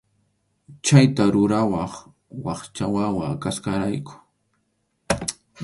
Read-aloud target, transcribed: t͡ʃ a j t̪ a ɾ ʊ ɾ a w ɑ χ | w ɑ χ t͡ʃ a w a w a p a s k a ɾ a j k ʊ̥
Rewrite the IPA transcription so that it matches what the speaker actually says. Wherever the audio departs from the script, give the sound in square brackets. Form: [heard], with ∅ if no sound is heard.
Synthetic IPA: t͡ʃ a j t̪ a ɾ ʊ ɾ a w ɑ χ | w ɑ χ t͡ʃ a w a w a [k] a s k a ɾ a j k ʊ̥